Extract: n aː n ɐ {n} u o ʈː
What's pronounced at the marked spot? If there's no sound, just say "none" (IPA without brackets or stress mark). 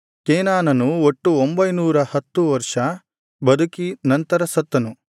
n